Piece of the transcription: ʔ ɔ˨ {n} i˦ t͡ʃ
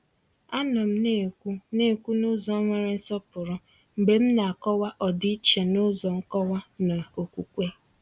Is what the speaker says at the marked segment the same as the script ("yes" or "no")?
no